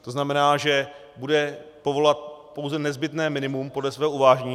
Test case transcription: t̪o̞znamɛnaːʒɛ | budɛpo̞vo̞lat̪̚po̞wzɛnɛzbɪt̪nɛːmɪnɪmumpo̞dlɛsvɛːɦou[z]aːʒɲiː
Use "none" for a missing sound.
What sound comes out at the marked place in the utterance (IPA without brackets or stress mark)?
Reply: v